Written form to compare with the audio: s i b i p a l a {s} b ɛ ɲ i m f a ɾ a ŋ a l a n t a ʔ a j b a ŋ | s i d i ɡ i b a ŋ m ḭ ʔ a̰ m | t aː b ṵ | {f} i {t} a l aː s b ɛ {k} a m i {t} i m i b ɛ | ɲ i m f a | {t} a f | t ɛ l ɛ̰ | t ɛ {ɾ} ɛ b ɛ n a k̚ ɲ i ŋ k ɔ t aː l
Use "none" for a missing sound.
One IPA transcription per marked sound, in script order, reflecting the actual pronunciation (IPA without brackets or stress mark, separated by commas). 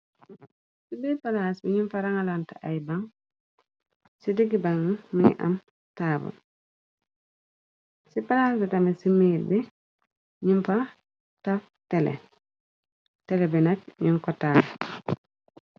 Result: s, s, p, t, s, t, l